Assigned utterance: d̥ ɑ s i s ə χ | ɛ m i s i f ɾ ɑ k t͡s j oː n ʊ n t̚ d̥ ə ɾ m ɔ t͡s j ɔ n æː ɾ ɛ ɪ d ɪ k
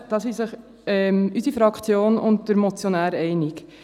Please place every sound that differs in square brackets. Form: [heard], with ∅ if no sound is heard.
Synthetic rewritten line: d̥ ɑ s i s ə χ | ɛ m [y] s i f ɾ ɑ k t͡s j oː n ʊ n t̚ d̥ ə ɾ m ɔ t͡s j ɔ n æː ɾ ɛ ɪ [n] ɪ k